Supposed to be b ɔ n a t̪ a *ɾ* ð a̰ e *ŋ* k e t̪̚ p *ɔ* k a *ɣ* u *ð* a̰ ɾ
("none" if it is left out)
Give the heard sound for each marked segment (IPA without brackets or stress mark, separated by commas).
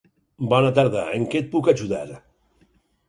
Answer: ɾ, ŋ, u, ʒ, ð